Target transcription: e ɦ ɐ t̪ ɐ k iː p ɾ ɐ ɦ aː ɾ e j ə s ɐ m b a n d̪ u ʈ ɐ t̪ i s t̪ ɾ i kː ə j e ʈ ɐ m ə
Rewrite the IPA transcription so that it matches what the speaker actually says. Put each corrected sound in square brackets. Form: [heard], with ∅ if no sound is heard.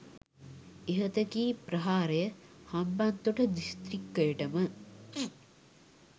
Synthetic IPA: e ɦ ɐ t̪ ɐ k iː p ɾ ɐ ɦ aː ɾ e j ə [h] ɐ m b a n [t̪] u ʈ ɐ [d̪] i s t̪ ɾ i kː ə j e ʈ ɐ m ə